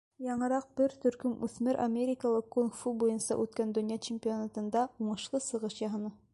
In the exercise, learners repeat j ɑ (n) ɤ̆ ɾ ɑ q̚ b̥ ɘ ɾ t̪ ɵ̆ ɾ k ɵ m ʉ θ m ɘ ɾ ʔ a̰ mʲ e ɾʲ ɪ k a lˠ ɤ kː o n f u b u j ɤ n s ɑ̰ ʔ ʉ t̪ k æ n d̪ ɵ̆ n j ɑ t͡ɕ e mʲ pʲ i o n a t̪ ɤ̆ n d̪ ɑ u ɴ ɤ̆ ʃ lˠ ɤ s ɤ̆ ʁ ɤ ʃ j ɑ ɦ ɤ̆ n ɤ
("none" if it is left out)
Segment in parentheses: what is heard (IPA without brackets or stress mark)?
ɴ